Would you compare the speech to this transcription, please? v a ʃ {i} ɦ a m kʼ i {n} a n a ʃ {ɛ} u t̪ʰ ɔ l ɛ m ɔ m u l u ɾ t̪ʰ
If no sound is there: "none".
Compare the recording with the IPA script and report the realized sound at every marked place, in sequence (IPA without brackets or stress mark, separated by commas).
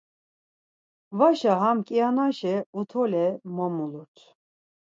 a, none, ɛ